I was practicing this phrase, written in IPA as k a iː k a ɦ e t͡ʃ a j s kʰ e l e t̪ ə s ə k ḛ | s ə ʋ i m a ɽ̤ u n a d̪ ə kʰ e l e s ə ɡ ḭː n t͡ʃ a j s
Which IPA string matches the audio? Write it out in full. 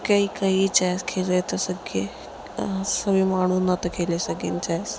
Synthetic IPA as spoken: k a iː k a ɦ i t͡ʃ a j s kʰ e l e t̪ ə s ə ɡ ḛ | s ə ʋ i m a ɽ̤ u n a t̪ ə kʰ e l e s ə ɡ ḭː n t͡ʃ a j s